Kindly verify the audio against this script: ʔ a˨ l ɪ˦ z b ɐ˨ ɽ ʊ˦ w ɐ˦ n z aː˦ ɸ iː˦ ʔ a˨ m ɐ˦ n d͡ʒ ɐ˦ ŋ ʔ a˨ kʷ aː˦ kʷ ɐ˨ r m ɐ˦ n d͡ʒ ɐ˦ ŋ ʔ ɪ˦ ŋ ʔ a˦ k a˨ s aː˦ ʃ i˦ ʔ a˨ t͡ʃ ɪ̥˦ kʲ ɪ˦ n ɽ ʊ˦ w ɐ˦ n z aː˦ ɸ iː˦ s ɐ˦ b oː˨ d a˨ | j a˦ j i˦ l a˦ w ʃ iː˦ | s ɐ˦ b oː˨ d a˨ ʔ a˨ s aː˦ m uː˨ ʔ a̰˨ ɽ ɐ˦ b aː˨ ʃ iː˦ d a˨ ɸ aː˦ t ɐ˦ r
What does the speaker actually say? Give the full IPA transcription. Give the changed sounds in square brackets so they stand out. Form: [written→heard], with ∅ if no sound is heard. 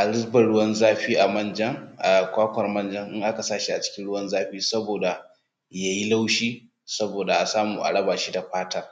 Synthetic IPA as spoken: ʔ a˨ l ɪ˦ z b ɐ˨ ɽ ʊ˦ w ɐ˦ n z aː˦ ɸ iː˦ ʔ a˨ m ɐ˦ n d͡ʒ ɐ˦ ŋ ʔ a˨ kʷ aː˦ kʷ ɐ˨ r m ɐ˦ n d͡ʒ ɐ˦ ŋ ʔ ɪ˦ ŋ ʔ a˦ k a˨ s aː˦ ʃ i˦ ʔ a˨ t͡ʃ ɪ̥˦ kʲ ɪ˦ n ɽ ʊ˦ w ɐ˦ n z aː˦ ɸ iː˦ s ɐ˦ b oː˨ d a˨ | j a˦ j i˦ l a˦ w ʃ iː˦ | s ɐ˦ b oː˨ d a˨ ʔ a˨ s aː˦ m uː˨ ʔ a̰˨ ɽ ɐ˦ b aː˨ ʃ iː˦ d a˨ ɸ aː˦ t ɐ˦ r